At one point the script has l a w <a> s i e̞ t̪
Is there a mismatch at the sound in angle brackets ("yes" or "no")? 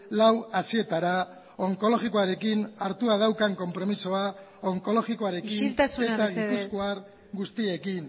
no